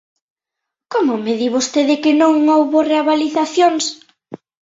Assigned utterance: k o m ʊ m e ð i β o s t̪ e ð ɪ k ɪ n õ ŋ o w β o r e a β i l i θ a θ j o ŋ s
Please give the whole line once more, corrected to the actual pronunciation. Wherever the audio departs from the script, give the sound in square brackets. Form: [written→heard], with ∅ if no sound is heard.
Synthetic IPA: k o m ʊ m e ð i β o s t̪ e ð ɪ k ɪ n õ ŋ o w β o r e a β [i→a] l i θ a θ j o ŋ s